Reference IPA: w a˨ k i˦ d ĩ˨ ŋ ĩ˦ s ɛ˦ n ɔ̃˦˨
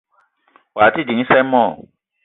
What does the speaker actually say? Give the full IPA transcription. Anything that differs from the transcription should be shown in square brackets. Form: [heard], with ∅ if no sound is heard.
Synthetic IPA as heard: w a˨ [t] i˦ d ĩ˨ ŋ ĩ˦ s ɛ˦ [m] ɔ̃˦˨